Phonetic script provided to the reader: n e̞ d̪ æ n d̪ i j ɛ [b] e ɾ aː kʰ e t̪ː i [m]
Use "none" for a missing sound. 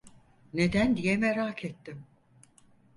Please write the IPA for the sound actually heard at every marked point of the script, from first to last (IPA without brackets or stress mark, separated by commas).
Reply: m, m